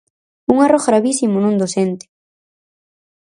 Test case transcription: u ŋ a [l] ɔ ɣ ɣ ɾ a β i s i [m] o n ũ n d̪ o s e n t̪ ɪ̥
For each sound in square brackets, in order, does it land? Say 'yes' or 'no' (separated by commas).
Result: no, yes